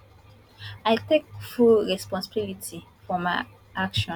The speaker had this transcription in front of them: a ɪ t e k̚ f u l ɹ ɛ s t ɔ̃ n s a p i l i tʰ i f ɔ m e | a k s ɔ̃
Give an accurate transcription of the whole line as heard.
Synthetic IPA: a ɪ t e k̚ f u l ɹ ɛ s p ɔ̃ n s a b i l i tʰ i f ɔ m a | a k ʃ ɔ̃